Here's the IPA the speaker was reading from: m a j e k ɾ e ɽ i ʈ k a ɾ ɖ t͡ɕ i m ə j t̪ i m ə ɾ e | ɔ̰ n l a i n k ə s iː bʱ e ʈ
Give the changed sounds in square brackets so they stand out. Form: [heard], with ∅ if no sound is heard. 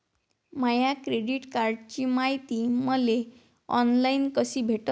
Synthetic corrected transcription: m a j [a] k ɾ e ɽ i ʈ k a ɾ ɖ t͡ɕ i m [a] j t̪ i m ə [l] e | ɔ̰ n l a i n k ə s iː bʱ e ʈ